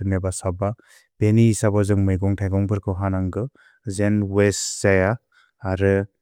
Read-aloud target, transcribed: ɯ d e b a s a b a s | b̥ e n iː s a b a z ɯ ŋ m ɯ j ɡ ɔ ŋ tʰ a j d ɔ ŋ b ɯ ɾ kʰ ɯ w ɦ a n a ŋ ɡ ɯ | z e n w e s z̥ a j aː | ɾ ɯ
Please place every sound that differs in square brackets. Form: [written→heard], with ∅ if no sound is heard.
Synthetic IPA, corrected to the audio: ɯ [d→n] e b a s a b a [s→∅] | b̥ e n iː s a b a z ɯ ŋ m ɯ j ɡ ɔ ŋ tʰ a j [d→ɡ] ɔ ŋ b ɯ ɾ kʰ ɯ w ɦ a n a ŋ ɡ ɯ | z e n w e s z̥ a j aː | ɾ ɯ